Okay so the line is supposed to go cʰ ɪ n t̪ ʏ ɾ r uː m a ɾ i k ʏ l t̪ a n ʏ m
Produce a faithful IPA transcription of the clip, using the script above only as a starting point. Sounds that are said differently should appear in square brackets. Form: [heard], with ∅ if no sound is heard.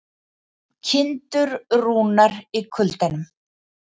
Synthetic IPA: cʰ ɪ n t̪ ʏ ɾ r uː [n] a ɾ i [kʰ] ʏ l t̪ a n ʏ m